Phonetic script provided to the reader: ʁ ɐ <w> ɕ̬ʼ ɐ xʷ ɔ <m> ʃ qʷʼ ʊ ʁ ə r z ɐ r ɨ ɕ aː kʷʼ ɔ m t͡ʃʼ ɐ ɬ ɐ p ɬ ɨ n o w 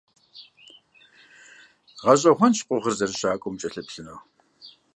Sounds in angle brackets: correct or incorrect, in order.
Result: incorrect, incorrect

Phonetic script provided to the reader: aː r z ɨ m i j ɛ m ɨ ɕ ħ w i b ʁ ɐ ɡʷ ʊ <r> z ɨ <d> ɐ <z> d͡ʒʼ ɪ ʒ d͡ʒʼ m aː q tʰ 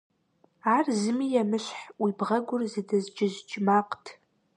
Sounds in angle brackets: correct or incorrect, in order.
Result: correct, correct, correct

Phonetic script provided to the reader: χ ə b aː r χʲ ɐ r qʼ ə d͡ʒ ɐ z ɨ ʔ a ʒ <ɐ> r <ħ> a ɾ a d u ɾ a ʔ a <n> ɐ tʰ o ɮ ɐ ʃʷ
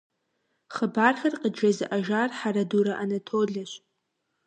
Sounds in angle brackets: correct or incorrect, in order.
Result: incorrect, correct, correct

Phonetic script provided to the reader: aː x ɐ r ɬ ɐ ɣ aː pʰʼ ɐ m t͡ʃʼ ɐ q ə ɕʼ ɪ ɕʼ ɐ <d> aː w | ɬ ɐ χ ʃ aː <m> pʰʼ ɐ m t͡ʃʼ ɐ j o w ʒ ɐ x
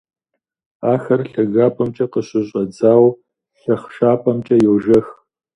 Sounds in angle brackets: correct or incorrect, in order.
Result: incorrect, incorrect

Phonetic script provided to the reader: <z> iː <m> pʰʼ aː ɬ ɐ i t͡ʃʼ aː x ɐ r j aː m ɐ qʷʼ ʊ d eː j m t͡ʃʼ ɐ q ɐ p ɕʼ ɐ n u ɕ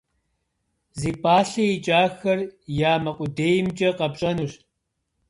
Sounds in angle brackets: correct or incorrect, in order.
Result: correct, incorrect

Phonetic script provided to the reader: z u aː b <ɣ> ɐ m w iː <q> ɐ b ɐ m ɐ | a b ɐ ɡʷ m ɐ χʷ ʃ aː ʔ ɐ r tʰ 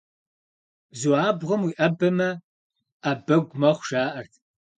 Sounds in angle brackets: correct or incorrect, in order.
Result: incorrect, incorrect

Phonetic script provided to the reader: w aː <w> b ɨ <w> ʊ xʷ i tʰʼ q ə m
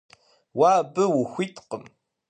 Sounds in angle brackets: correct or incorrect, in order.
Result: incorrect, correct

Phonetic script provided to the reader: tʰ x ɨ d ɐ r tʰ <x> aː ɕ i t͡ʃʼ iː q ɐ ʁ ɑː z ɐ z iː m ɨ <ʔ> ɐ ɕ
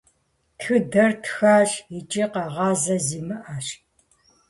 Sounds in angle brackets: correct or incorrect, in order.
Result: correct, correct

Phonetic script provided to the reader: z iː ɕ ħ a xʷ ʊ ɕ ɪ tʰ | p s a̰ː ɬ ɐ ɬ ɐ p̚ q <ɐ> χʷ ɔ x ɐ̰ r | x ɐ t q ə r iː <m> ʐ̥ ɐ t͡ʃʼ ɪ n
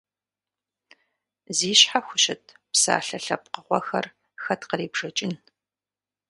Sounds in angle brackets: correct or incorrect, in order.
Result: incorrect, incorrect

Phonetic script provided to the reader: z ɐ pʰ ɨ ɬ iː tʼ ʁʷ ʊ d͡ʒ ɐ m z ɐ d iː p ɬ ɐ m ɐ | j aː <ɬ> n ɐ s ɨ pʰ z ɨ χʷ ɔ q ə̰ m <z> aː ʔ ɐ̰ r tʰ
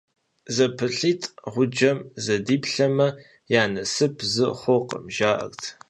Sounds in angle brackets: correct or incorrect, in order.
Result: incorrect, incorrect

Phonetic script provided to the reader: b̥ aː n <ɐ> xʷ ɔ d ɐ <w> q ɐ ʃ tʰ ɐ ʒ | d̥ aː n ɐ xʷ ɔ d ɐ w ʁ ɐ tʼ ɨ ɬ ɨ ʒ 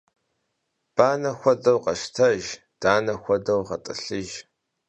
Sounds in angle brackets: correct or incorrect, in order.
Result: correct, correct

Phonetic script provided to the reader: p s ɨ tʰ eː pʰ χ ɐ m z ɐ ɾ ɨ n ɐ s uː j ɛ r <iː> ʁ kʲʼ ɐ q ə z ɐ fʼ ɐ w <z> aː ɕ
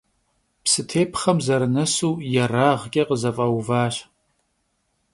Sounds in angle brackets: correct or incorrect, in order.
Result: incorrect, incorrect

